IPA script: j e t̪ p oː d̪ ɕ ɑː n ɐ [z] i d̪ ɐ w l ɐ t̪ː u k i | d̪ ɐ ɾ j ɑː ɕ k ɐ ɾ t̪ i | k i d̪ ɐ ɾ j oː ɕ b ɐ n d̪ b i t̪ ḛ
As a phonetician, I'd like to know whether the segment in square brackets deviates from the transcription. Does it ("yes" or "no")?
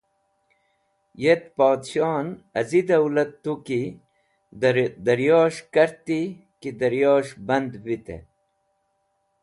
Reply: no